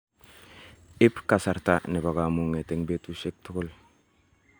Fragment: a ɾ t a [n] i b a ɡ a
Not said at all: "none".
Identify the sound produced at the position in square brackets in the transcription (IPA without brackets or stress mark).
n